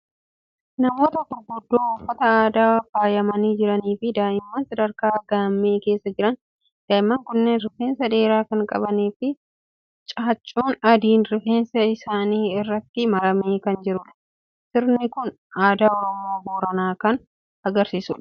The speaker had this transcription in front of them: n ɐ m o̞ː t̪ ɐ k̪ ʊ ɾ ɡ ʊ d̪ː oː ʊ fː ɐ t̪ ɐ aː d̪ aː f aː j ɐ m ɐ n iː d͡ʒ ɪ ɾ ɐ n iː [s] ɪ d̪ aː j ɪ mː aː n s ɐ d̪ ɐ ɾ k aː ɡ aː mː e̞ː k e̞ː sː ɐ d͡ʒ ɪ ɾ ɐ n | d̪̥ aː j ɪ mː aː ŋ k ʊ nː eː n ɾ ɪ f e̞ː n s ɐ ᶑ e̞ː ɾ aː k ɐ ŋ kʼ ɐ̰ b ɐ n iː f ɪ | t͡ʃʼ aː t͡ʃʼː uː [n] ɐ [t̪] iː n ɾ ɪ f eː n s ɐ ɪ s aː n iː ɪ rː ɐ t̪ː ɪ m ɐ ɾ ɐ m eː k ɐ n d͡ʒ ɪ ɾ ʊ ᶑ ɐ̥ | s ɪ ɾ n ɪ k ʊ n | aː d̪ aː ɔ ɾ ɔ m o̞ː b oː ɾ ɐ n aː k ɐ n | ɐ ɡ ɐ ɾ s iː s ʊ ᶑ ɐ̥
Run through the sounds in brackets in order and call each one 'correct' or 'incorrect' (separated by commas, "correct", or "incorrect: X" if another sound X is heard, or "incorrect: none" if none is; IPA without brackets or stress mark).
incorrect: f, correct, incorrect: d̪